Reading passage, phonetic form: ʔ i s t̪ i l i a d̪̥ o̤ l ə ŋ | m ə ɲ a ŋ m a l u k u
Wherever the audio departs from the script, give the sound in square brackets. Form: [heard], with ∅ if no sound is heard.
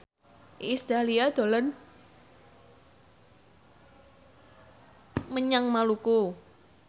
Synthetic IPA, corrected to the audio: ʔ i s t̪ [a] l i a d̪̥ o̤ l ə [n] | m ə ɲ a ŋ m a l u k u